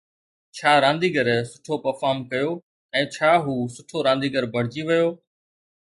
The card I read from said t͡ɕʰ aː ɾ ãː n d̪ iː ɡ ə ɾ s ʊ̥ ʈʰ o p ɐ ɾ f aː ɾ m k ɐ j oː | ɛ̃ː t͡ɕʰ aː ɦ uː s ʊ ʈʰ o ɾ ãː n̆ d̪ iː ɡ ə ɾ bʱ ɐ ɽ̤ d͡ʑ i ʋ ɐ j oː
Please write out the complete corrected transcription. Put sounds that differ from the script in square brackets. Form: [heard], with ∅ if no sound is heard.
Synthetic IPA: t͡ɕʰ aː ɾ ãː n d̪ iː ɡ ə ɾ s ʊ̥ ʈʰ o p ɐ ɾ f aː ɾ m k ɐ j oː | ɛ̃ː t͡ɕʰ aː ɦ uː s ʊ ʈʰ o ɾ ãː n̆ d̪ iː ɡ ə ɾ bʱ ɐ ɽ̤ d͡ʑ i ʋ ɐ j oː